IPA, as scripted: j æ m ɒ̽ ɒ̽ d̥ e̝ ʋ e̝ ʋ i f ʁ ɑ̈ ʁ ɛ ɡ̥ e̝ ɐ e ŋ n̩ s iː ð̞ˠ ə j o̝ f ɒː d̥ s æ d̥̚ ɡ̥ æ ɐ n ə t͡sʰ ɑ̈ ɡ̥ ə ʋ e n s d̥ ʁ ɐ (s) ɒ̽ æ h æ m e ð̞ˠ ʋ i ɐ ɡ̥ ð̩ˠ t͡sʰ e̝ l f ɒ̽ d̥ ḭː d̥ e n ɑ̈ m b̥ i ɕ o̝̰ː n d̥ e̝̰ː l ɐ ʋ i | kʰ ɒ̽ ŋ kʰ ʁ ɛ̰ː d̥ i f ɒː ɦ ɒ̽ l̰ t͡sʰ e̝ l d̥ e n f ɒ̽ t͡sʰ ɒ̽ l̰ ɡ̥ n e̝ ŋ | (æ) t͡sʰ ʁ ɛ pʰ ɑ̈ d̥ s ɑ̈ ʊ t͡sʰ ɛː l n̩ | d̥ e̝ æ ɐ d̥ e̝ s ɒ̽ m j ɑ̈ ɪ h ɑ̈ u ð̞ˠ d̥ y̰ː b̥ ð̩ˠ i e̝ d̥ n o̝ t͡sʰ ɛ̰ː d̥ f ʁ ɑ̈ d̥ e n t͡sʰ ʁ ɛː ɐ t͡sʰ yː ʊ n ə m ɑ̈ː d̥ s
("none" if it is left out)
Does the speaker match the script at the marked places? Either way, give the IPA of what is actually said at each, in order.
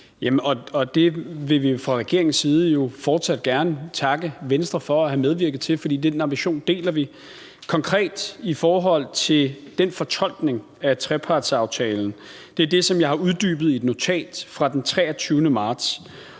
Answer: f, æ

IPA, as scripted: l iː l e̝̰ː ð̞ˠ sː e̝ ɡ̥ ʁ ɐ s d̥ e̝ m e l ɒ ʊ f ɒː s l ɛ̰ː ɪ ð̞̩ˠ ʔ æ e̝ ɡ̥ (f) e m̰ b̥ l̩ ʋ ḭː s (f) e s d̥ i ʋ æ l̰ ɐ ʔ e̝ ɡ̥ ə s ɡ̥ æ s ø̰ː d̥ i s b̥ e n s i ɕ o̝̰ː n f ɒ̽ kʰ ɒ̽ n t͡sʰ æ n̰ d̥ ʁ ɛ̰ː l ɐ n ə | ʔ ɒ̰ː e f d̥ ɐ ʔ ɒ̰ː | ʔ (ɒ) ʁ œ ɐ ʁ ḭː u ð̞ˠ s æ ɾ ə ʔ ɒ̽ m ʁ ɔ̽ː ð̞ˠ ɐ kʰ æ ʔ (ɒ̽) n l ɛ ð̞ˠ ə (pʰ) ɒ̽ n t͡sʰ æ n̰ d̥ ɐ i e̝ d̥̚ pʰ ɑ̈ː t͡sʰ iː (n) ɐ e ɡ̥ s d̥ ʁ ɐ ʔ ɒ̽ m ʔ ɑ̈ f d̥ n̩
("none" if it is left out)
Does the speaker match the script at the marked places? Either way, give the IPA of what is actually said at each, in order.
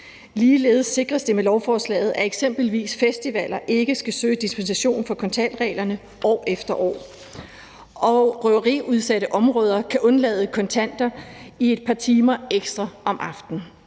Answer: s, f, ɒ, ɔ̽, kʰ, m

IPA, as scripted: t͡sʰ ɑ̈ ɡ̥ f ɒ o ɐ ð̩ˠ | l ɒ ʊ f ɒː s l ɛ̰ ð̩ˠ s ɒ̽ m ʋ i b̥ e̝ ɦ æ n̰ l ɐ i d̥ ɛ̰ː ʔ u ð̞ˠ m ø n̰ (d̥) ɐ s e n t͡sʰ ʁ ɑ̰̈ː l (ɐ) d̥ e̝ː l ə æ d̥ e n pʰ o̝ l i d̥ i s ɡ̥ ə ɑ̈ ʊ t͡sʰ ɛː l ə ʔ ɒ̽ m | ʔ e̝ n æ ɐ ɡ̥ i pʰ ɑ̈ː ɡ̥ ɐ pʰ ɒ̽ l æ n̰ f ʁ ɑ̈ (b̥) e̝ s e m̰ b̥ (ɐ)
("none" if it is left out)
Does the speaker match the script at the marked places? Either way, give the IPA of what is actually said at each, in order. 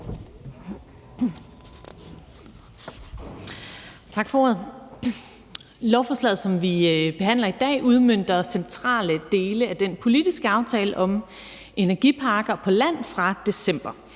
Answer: d̥, ə, d̥, ɐ

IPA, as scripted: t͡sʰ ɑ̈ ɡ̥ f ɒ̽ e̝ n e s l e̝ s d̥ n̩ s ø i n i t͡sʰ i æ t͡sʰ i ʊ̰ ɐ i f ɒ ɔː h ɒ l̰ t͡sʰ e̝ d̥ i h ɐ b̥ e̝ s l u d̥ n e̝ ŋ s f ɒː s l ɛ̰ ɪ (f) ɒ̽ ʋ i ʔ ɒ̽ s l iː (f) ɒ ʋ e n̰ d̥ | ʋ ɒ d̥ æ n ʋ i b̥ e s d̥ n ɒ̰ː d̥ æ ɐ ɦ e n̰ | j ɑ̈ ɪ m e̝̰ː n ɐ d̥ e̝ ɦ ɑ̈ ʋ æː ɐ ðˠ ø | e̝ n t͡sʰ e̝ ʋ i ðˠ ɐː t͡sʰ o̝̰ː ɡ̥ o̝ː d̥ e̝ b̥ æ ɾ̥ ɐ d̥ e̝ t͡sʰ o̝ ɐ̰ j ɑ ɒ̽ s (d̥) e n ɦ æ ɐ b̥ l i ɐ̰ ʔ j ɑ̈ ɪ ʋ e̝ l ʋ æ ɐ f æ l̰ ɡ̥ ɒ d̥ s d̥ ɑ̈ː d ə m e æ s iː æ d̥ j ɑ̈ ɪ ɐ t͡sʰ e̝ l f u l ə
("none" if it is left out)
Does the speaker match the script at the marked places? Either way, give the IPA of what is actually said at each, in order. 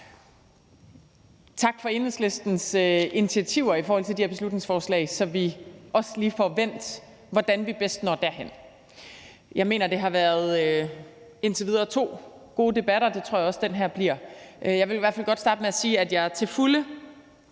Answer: s, f, d̥

